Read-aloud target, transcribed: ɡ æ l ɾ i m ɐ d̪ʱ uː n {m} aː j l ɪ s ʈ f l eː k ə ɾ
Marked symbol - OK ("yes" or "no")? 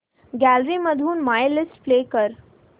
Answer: yes